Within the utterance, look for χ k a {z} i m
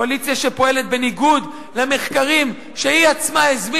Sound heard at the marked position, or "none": ʁ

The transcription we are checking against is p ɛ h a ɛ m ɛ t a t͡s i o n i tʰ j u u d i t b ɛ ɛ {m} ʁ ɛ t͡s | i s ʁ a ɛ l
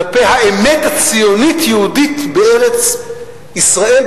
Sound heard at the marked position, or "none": none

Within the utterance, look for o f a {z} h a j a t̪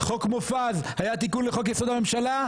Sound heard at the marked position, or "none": z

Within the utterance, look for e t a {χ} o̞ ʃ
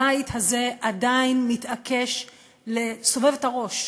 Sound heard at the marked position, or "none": ʁ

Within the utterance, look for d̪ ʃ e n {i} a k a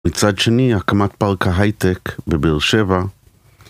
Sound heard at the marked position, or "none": i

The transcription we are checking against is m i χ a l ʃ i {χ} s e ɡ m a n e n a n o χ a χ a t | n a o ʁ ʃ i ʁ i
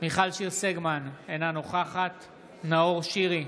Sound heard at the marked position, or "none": ʁ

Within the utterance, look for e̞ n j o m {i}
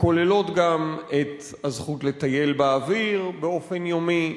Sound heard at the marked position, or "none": i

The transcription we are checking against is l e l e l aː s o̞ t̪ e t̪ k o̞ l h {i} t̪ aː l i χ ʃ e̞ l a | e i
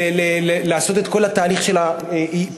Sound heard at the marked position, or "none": a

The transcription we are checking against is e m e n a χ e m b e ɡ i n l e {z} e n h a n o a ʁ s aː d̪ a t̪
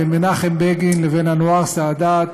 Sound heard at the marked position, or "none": v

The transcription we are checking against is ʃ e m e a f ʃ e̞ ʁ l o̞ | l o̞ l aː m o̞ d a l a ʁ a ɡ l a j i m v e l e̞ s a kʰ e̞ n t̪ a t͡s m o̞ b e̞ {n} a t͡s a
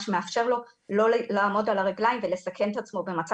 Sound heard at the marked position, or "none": m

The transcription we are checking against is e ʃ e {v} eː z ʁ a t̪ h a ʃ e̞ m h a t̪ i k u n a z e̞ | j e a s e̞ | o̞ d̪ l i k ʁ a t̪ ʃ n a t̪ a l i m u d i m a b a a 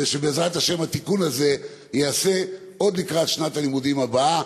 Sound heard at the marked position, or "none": b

